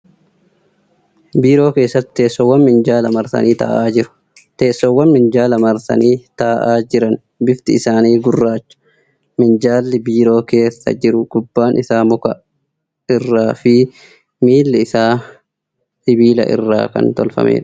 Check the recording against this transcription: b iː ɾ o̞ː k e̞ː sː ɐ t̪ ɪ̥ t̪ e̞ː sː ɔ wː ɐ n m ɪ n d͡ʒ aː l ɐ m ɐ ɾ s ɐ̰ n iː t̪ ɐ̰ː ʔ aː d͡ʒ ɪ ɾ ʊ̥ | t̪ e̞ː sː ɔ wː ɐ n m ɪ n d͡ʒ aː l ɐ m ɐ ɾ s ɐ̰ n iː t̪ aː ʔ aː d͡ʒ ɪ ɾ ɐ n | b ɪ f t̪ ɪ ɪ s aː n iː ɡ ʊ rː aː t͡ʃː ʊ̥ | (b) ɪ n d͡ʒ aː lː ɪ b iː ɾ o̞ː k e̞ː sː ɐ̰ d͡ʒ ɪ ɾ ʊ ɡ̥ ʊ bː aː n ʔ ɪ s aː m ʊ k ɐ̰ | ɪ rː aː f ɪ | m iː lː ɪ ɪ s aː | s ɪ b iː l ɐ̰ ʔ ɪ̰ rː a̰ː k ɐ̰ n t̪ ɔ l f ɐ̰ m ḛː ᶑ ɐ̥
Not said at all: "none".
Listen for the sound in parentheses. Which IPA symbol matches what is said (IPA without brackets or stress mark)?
m